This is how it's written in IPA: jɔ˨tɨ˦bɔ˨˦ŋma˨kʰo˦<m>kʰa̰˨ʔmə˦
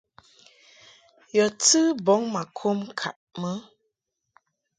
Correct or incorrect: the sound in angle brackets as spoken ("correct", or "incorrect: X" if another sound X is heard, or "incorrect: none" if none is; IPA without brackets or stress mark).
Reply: correct